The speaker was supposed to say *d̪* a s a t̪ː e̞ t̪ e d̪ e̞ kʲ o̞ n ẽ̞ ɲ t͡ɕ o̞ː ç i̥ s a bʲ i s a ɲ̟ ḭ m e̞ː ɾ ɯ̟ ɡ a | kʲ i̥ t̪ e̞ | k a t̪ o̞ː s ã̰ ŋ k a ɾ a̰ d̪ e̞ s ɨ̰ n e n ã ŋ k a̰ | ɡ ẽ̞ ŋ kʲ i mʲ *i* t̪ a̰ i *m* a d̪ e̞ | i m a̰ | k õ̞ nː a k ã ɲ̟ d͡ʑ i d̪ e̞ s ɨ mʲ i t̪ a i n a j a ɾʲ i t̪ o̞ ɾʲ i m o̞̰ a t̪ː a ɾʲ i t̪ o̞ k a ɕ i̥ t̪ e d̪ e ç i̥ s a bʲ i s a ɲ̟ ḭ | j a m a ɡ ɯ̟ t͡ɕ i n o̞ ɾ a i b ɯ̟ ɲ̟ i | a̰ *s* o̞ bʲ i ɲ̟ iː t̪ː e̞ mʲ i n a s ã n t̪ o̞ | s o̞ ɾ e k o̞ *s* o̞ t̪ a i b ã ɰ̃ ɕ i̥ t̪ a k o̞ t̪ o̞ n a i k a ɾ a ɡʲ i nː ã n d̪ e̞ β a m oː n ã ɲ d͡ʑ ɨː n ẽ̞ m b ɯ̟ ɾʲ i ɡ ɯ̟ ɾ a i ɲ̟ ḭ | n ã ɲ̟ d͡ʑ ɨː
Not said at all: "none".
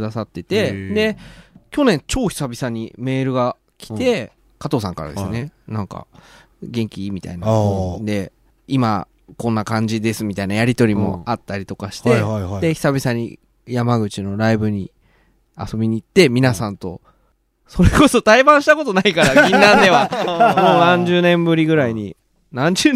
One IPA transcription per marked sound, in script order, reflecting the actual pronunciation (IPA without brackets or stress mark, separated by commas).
d̪, i, n, s, s